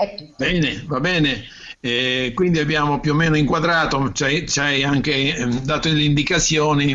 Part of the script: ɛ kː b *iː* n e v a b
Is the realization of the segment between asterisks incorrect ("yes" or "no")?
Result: yes